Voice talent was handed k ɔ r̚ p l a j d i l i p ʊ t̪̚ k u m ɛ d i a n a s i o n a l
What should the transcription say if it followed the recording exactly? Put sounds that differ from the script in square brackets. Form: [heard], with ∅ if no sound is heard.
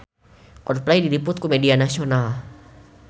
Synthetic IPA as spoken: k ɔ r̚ p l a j d i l i p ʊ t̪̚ k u m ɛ d i a n a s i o n a l